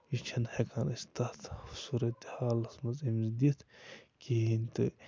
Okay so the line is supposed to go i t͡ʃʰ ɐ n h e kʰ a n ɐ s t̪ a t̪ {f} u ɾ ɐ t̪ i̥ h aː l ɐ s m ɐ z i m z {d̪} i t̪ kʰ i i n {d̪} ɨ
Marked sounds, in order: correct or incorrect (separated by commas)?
incorrect, correct, incorrect